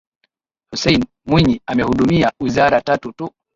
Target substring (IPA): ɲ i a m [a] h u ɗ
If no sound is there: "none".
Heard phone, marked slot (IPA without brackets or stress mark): ɛ